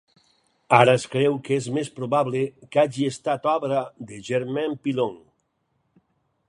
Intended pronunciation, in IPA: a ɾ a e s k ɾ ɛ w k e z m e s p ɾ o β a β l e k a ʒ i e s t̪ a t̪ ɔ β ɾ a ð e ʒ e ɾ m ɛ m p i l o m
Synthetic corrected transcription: a ɾ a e s k ɾ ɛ w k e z m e s p ɾ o β a β l e k a ʒ i e s t̪ a t̪ ɔ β ɾ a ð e ʒ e ɾ m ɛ m p i l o ŋ